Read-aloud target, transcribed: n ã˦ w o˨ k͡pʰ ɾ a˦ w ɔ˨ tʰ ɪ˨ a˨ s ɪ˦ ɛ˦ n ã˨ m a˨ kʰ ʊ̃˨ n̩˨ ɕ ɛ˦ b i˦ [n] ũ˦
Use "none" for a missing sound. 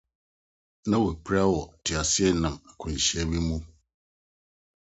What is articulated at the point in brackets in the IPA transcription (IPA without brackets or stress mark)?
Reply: m